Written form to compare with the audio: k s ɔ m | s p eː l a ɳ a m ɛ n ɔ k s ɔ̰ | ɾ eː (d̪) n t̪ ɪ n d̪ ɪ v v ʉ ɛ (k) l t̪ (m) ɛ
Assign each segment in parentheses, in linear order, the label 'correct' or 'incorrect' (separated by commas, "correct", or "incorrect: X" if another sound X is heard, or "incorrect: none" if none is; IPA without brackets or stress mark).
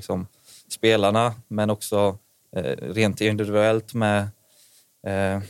incorrect: none, incorrect: none, correct